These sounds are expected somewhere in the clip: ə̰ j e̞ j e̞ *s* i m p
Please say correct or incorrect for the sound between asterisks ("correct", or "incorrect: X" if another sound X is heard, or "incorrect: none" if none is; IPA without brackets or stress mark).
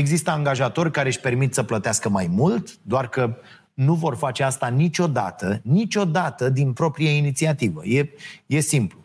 correct